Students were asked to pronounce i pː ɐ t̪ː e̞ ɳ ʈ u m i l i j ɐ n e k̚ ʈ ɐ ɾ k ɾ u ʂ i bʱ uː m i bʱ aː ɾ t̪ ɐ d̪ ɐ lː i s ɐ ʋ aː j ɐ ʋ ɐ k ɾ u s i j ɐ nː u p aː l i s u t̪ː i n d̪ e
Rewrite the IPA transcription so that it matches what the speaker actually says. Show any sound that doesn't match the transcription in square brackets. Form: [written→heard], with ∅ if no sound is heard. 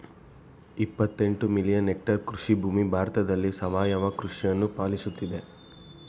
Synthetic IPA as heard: i pː ɐ t̪ː e̞ ɳ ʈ u m i l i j ɐ n e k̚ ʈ ɐ ɾ k ɾ u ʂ i bʱ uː m i bʱ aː ɾ t̪ ɐ d̪ ɐ lː i s ɐ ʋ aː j ɐ ʋ ɐ k ɾ u [s→ʂ] i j ɐ nː u p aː l i s u t̪ː i [n→∅] d̪ e